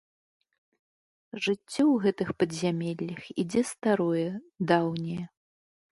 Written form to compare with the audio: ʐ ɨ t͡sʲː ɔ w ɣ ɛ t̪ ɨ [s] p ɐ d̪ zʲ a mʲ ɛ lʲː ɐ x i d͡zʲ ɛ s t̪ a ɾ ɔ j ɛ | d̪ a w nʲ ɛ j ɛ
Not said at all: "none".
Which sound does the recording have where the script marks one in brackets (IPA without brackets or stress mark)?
x